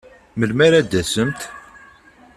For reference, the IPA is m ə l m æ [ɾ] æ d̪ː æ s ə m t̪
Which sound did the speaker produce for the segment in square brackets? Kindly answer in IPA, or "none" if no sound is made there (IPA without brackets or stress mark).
ɾ